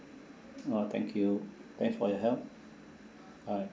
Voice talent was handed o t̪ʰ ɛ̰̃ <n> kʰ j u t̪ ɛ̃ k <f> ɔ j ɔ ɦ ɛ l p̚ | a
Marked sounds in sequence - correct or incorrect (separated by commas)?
incorrect, correct